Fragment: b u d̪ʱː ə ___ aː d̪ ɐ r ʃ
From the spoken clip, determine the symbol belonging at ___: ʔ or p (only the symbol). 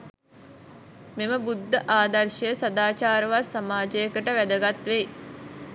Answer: ʔ